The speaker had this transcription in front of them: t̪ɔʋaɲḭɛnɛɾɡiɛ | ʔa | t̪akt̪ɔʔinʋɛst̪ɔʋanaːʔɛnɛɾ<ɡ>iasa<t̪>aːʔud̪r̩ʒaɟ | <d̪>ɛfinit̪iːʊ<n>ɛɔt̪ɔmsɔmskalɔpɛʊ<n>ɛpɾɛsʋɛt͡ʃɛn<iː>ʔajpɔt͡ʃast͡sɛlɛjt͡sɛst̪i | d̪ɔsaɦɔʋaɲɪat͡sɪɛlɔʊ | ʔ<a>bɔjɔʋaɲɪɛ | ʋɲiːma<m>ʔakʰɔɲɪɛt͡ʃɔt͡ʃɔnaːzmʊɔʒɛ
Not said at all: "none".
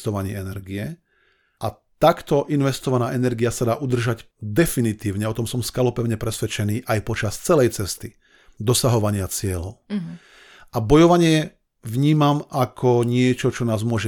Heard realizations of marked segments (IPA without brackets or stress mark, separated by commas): ɡ, d̪, d̪, ɲ, ɲ, iː, a, m